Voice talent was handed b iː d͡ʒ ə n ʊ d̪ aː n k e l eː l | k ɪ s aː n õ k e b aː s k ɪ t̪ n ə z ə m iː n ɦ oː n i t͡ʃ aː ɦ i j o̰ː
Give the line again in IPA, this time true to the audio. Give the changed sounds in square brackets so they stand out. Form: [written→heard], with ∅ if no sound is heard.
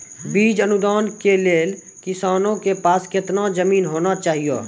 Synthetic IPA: b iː d͡ʒ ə n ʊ d̪ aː n k e l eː l | k ɪ s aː n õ k e [b→p] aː s k ɪ t̪ n [ə→a] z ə m iː n ɦ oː n [i→a] t͡ʃ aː ɦ i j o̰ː